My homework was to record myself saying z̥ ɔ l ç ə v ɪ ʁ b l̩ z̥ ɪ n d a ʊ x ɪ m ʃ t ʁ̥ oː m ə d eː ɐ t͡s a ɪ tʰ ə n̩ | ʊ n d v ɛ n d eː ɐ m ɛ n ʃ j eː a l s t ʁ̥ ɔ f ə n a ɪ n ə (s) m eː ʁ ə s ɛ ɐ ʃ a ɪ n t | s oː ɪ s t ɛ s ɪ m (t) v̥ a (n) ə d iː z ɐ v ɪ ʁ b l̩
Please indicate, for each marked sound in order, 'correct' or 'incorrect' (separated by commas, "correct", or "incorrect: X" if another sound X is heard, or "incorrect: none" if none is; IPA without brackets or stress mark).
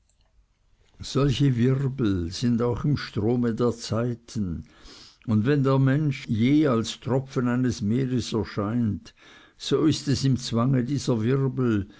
correct, incorrect: t͡s, incorrect: ŋ